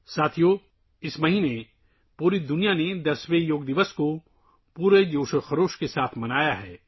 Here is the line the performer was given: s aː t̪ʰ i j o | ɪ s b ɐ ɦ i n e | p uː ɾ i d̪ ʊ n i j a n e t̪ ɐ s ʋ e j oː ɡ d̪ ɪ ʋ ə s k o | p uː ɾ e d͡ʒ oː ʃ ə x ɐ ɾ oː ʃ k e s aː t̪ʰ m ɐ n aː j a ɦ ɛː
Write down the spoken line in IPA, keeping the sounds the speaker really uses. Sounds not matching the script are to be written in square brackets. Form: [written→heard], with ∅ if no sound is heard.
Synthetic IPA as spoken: s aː t̪ʰ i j o | ɪ s [b→m] ɐ ɦ i n e | p uː ɾ i d̪ ʊ n i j a n e [t̪→d̪] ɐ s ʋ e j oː ɡ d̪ ɪ ʋ ə s k o | p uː ɾ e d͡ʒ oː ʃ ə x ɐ ɾ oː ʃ k e s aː t̪ʰ m ɐ n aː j a ɦ ɛː